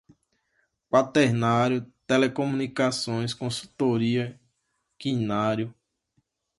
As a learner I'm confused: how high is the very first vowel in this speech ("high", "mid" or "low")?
low